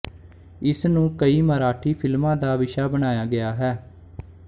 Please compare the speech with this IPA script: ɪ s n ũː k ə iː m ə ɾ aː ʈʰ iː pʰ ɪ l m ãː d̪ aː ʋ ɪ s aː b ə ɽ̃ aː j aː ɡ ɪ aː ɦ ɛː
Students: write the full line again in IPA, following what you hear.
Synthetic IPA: ɪ s n ũː k ə iː m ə ɾ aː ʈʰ iː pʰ ɪ l m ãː d̪ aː ʋ ɪ ʃ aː b ə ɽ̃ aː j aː ɡ ɪ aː ɦ ɛː